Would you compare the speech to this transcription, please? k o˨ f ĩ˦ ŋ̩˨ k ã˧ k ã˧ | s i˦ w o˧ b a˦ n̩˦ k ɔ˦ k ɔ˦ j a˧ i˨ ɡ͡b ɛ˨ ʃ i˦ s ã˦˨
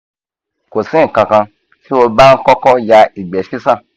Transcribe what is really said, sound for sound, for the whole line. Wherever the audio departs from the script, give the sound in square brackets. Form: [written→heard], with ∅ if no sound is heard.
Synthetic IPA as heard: k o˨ [f→s] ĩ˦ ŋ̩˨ k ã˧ k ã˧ | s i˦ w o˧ b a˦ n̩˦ k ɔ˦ k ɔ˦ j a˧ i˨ ɡ͡b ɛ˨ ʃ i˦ s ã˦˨

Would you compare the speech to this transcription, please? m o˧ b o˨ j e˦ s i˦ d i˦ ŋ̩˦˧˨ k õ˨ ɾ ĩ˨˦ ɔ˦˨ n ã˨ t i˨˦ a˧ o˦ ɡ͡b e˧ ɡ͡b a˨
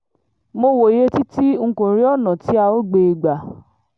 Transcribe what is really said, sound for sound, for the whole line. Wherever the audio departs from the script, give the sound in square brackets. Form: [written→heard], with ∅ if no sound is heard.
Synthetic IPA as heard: m o˧ [b→w] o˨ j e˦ [s→t] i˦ [d→t] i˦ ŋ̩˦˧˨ k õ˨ ɾ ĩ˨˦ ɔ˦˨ n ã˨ t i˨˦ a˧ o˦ ɡ͡b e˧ ɡ͡b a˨

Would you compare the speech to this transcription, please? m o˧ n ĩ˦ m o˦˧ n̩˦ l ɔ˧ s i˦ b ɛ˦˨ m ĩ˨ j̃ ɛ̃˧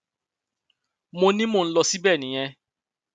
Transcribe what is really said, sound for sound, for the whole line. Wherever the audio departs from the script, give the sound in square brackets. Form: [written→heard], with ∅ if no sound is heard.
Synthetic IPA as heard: m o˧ n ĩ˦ m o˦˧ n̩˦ l ɔ˧ s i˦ b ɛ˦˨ [m→n] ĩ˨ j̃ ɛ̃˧

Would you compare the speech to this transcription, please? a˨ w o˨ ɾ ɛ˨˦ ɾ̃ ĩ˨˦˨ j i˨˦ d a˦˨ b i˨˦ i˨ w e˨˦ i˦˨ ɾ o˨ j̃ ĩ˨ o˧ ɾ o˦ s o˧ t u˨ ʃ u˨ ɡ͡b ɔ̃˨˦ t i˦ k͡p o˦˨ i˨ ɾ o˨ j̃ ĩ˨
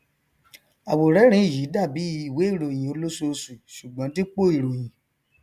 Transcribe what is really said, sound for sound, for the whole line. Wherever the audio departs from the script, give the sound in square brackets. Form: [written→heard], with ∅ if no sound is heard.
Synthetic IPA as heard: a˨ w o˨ ɾ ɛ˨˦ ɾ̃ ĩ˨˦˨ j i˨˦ d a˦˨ b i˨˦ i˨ w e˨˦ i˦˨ ɾ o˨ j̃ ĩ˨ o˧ [ɾ→l] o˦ s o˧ [t→s] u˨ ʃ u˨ ɡ͡b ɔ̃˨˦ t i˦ k͡p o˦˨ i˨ ɾ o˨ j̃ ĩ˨

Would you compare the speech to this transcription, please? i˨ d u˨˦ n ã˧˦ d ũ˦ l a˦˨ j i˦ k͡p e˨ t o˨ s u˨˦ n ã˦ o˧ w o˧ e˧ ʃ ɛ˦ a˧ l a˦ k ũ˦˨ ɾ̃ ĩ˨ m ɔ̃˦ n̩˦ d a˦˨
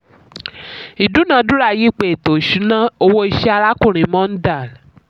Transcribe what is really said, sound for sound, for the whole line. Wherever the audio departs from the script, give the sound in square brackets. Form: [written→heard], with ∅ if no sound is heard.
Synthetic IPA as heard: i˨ d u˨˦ n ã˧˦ d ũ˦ [l→ɾ] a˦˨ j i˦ k͡p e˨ t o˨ [s→ʃ] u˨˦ n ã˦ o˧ w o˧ [e˧→i˧] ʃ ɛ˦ a˧ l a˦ k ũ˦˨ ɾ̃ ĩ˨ m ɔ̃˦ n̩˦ d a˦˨

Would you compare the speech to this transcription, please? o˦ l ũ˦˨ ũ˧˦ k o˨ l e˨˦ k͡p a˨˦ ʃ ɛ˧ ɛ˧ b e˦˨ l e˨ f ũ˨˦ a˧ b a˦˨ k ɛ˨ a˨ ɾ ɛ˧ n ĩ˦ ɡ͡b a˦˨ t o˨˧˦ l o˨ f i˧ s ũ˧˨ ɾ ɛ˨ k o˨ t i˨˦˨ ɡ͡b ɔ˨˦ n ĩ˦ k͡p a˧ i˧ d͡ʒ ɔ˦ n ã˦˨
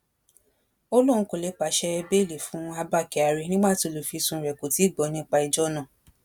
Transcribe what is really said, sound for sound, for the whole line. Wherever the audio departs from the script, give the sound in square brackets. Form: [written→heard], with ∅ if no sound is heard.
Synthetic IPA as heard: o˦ l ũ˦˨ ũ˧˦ k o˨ l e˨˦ k͡p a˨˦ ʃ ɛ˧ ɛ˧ b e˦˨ l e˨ f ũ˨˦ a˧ b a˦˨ k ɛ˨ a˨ ɾ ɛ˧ n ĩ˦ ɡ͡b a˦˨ t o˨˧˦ l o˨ f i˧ s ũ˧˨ ɾ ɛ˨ k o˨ t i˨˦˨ ɡ͡b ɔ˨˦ n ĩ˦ k͡p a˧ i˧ d͡ʒ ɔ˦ n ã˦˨

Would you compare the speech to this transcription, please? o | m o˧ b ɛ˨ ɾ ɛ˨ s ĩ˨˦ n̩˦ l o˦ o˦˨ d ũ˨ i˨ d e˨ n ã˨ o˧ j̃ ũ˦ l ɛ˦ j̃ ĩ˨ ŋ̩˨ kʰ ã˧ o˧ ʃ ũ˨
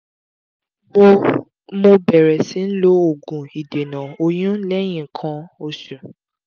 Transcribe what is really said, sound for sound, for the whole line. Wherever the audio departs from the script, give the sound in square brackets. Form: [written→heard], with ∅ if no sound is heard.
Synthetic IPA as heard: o | m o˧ b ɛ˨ ɾ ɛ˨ s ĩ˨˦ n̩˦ l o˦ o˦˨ [d→ɡ] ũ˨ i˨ d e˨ n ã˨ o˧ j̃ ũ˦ l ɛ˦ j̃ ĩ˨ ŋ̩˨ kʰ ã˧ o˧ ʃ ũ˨

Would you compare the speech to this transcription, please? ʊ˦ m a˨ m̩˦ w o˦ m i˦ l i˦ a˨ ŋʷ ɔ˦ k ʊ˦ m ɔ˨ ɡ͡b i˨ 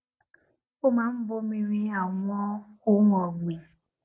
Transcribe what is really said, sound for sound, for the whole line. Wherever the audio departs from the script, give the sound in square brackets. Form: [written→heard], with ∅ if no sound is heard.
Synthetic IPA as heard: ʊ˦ m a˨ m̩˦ [w→b] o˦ m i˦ [l→ɾ] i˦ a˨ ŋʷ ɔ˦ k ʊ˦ [m→ŋ] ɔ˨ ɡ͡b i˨

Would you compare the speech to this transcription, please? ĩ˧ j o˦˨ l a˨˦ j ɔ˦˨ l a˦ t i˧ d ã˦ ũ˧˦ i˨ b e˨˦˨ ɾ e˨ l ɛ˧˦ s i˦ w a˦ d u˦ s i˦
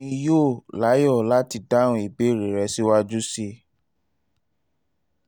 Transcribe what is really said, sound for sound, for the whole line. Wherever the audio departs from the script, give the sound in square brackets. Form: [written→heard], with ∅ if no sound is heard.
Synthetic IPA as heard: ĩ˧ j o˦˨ l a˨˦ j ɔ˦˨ l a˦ t i˧ d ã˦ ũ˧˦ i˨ b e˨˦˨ ɾ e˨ [l→ɾ] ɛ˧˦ s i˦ w a˦ [d→d͡ʒ] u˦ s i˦

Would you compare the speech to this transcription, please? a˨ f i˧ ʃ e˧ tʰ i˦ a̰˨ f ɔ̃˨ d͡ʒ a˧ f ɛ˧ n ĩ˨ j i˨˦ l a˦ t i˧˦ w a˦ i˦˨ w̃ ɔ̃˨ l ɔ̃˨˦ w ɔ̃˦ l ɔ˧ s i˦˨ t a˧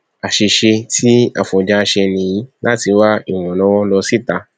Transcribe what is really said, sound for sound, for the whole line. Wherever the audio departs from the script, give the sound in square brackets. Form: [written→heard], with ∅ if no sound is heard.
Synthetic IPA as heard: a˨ [f→ʃ] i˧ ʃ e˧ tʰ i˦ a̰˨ f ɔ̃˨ d͡ʒ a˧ [f→ʃ] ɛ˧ n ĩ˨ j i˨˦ l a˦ t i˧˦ w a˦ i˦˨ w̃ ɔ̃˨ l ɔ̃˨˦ w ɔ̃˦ l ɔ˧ s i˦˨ t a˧

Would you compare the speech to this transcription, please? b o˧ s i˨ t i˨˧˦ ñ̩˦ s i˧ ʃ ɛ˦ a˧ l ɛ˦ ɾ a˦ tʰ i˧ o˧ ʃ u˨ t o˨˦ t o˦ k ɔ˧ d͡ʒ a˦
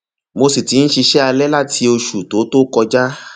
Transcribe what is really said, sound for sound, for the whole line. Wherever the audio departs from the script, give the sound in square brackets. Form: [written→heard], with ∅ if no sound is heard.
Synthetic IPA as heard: [b→m] o˧ s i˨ t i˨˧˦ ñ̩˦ [s→ʃ] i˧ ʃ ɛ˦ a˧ l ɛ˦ [ɾ→l] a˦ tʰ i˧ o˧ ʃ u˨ t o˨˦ t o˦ k ɔ˧ d͡ʒ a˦

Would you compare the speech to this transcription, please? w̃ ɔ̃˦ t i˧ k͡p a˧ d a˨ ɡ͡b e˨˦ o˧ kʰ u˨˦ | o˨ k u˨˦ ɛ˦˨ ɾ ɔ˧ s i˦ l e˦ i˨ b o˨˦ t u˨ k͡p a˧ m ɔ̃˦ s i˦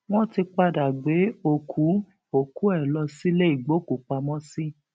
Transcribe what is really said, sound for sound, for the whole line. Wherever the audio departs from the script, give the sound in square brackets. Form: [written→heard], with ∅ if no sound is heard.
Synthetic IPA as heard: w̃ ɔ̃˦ t i˧ k͡p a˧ d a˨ ɡ͡b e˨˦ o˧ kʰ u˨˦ | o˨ k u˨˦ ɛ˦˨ [ɾ→l] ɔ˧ s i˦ l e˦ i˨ [b→ɡ͡b] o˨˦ [t→k] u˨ k͡p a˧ m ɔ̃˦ s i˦

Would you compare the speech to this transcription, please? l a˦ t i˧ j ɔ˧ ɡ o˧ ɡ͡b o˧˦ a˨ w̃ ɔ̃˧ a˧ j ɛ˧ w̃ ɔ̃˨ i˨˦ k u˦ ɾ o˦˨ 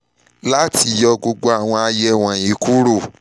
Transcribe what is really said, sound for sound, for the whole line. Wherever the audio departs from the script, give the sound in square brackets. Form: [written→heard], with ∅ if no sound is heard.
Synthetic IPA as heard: l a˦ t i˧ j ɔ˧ ɡ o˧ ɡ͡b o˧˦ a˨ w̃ ɔ̃˧ a˧ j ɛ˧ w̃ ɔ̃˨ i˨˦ k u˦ ɾ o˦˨

